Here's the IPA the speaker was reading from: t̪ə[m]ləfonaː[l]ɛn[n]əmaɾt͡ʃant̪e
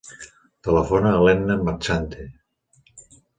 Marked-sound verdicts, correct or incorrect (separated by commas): incorrect, correct, correct